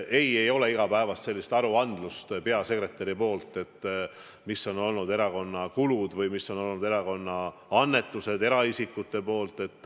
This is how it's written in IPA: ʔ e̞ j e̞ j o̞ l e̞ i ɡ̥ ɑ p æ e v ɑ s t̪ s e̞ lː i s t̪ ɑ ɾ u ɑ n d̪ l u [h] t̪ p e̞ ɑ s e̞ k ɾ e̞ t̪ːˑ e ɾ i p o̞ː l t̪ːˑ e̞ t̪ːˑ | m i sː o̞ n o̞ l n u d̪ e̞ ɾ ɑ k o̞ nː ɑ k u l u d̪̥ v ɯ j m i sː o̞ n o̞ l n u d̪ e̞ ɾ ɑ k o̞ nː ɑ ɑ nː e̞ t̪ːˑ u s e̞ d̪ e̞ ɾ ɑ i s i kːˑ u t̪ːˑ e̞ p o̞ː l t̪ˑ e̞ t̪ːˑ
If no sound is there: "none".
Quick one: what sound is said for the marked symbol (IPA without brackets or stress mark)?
s